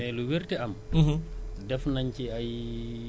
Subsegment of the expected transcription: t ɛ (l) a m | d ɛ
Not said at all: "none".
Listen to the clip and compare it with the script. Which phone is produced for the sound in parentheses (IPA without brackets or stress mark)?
none